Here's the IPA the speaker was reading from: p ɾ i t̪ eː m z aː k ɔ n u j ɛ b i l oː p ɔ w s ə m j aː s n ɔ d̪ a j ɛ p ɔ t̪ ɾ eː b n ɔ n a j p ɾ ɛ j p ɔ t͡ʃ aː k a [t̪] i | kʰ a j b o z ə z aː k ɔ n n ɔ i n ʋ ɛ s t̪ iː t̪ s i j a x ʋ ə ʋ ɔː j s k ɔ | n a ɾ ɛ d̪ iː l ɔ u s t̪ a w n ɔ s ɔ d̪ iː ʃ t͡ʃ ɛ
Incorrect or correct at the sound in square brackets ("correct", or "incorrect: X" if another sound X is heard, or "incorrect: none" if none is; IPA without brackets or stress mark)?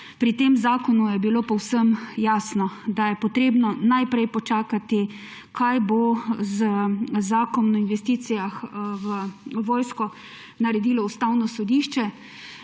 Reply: correct